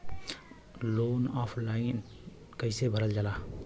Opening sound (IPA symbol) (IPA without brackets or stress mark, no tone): l